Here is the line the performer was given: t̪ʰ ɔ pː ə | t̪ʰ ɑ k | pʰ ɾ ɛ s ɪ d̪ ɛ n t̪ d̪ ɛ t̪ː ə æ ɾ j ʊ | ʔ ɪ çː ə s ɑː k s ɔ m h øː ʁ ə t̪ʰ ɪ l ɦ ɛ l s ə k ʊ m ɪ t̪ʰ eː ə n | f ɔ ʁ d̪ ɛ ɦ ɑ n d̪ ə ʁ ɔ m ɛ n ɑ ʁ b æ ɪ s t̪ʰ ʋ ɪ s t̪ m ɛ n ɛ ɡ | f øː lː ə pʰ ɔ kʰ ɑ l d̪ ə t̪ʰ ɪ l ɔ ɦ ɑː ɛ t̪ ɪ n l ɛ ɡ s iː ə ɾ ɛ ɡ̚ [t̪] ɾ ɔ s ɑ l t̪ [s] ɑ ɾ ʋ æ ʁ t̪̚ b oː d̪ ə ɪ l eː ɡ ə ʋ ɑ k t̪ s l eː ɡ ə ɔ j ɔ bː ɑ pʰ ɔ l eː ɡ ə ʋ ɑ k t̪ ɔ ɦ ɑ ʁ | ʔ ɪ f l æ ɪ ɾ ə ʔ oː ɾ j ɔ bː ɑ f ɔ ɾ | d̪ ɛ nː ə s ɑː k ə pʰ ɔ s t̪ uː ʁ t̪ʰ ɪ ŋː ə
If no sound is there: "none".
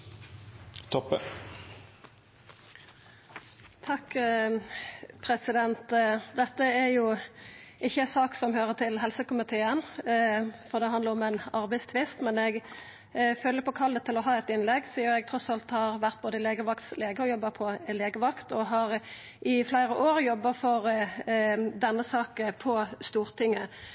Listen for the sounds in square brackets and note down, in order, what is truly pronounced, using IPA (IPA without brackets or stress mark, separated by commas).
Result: t̪ʰ, h